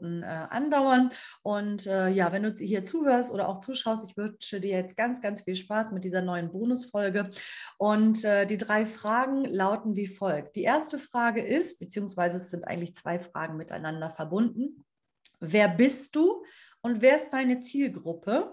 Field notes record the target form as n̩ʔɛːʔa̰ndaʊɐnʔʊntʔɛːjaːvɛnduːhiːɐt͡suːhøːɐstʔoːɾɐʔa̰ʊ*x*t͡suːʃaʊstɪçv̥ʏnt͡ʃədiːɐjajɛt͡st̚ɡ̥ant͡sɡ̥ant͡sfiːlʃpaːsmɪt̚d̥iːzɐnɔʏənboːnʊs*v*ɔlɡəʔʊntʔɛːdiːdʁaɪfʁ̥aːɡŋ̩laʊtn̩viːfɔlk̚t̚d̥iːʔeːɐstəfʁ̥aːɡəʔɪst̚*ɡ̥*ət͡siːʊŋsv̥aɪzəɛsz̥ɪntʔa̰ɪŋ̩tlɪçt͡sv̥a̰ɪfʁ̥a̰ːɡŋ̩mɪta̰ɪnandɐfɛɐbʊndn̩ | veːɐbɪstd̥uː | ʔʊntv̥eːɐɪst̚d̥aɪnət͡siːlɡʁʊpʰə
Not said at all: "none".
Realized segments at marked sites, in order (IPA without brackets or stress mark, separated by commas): x, f, b̥